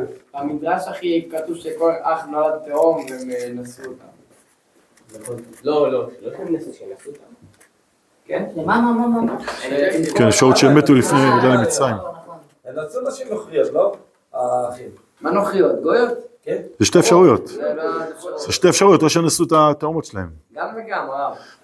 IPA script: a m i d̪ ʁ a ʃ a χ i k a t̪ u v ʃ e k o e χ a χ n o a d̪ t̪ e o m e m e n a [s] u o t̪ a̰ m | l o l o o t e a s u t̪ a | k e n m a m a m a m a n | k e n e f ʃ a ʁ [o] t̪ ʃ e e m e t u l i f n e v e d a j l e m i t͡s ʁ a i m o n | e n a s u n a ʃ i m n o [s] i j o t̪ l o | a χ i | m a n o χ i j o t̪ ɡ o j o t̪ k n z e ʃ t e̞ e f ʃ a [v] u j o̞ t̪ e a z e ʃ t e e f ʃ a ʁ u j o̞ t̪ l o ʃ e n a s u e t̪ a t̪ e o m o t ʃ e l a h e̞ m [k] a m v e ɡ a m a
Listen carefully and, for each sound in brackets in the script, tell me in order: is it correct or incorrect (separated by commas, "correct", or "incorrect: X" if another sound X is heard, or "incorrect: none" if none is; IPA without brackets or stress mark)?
correct, incorrect: u, incorrect: χ, incorrect: ʁ, incorrect: ɡ